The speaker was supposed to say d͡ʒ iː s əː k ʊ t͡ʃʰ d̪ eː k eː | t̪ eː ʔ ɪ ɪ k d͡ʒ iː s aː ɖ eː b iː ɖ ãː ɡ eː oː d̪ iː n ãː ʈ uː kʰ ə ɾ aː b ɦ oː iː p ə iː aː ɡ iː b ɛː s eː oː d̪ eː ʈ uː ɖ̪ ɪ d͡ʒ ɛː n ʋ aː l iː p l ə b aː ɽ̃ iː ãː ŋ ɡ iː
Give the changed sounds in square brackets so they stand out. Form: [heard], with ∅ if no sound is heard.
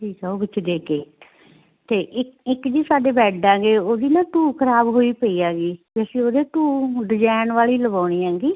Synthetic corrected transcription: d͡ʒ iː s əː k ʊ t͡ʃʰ d̪ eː k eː | t̪ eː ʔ ɪ ɪ k d͡ʒ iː s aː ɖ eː b [ɛː] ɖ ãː ɡ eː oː d̪ iː n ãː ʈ uː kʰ ə ɾ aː b ɦ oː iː p ə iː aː ɡ iː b ɛː s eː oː d̪ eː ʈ uː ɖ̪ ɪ d͡ʒ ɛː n ʋ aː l iː [∅] l ə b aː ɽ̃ iː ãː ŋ ɡ iː